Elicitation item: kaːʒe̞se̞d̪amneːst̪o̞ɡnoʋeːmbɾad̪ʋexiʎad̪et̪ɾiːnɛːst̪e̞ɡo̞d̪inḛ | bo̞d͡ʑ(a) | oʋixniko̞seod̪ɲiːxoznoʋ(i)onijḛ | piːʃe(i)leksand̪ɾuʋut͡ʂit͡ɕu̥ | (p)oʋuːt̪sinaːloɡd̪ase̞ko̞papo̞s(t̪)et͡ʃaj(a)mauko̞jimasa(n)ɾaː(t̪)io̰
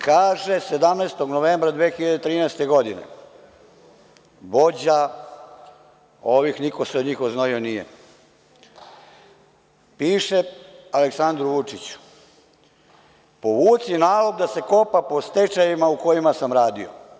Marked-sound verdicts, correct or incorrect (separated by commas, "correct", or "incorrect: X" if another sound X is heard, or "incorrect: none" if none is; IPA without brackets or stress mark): correct, correct, incorrect: a, correct, correct, incorrect: i, incorrect: m, incorrect: d̪